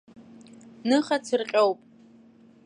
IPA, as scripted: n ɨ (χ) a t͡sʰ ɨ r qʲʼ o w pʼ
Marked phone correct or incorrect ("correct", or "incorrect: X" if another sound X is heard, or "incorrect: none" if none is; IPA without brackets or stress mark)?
correct